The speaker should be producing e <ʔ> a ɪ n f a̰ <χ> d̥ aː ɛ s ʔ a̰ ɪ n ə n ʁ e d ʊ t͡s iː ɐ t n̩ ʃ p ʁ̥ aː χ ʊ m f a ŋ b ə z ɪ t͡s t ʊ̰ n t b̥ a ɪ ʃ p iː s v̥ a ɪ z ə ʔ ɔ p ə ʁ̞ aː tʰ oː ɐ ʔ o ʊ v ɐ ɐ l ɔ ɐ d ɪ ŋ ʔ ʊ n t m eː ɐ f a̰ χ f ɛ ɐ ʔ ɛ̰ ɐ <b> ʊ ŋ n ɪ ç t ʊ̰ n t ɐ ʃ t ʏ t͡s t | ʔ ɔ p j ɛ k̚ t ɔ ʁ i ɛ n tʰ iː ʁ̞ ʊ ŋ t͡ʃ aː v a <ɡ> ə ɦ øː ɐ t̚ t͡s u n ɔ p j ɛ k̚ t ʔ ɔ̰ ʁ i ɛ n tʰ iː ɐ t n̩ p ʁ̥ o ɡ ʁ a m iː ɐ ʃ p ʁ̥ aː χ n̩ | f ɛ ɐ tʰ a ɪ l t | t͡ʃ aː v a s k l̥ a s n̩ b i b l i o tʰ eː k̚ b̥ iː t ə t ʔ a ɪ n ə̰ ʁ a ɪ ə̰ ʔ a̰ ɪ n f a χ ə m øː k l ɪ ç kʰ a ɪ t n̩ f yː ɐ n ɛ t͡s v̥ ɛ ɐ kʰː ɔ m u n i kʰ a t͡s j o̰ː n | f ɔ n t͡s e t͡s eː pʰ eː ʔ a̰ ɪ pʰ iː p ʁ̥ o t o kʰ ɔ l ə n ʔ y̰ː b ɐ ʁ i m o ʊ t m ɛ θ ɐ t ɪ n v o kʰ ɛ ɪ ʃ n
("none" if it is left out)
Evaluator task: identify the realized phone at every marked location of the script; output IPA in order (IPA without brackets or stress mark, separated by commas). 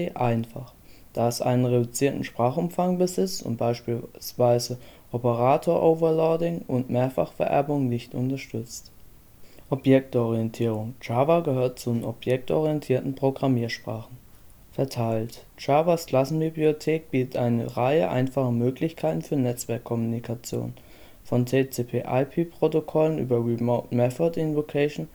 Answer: ʔ, χ, b, ɡ